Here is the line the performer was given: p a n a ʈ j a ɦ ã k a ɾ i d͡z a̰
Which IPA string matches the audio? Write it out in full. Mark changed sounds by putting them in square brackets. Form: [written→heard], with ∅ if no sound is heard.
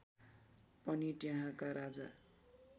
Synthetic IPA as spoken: p [a→ʌ] n [a→i] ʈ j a ɦ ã k a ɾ [i→a] d͡z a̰